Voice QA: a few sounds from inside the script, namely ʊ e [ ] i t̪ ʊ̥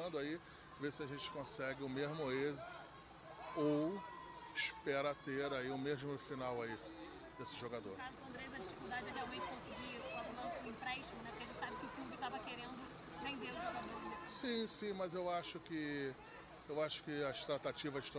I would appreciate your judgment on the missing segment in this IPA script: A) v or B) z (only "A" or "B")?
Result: B